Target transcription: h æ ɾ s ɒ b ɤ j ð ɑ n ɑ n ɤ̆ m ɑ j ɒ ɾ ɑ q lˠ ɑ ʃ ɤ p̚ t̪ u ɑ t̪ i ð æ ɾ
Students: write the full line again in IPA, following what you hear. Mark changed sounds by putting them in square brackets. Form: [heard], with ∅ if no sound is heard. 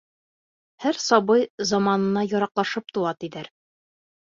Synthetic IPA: h æ ɾ s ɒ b ɤ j [z] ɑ [m] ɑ n ɤ̆ [n] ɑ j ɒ ɾ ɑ q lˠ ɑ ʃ ɤ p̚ t̪ u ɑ t̪ i ð æ ɾ